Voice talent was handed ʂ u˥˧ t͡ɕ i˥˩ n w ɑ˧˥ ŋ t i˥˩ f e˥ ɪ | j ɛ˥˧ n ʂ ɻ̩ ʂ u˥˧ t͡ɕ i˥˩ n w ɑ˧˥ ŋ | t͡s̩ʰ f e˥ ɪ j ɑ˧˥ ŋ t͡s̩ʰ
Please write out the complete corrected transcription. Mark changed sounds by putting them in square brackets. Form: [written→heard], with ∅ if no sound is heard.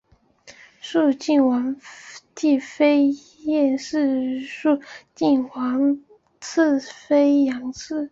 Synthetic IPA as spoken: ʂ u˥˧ t͡ɕ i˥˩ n w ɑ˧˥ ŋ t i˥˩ f e˥ ɪ | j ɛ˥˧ n ʂ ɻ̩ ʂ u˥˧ t͡ɕ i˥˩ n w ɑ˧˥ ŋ | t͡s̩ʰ f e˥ ɪ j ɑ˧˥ ŋ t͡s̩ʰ